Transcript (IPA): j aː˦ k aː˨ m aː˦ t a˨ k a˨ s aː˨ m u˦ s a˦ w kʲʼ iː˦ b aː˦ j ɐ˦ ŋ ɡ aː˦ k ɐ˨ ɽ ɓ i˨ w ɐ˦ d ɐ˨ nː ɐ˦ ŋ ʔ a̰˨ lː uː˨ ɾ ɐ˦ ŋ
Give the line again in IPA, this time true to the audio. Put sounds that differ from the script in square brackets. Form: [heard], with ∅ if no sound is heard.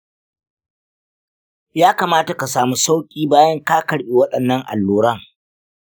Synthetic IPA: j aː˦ k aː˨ m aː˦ t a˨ k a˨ s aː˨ m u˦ s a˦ w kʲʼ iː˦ b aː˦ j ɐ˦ ŋ [k] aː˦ k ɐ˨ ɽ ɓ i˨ w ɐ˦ [ɗ] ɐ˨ nː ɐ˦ ŋ ʔ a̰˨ lː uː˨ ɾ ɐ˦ ŋ